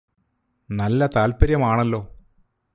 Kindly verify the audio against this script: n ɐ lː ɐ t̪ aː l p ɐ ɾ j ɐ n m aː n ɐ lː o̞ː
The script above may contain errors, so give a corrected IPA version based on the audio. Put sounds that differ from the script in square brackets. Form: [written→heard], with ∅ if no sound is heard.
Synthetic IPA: n ɐ lː ɐ t̪ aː l p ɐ ɾ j ɐ [n→∅] m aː [n→ɳ] ɐ lː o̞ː